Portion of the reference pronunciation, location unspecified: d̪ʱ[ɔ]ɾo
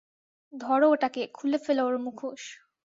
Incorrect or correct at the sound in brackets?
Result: correct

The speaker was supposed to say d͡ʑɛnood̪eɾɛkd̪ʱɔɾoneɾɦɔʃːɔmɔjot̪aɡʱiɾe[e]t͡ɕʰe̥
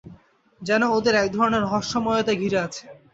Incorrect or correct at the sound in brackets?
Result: incorrect: a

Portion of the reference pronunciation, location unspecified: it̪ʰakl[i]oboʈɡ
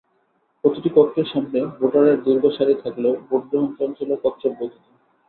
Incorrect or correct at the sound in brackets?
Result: incorrect: e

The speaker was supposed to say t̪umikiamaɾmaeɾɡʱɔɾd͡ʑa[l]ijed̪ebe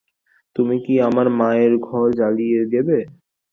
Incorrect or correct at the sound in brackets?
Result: correct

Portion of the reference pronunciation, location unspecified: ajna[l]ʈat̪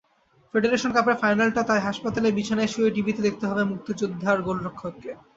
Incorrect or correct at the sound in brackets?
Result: correct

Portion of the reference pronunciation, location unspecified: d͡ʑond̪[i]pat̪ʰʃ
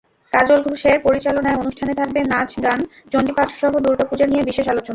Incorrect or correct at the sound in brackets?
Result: correct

